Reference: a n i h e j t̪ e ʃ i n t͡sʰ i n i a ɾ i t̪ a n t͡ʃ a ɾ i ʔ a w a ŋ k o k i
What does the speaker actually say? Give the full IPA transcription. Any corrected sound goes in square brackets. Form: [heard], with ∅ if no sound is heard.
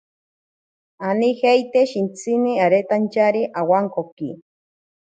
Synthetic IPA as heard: a n i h e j t̪ e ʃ i n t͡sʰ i n i a ɾ [e] t̪ a n t͡ʃ a ɾ i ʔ a w a ŋ k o k i